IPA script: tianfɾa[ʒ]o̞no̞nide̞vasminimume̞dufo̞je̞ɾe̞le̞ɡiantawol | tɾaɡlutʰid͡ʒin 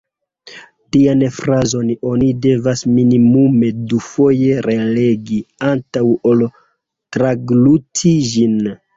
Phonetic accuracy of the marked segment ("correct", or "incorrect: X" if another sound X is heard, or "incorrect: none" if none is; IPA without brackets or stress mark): incorrect: z